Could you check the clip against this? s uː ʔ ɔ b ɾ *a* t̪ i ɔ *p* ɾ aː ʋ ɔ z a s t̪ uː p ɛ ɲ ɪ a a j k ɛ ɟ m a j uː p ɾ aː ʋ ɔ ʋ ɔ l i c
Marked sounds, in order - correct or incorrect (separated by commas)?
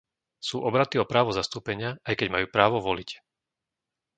correct, correct